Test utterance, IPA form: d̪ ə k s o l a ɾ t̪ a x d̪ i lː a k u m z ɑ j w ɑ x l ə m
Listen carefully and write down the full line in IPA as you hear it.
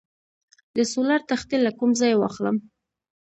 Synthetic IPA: d̪ ə s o l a ɾ t̪ a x t̪ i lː a k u m z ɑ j w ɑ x l ə m